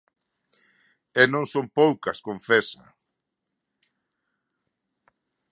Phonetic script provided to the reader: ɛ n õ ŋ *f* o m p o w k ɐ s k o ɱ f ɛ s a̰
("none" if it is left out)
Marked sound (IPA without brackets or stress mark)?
s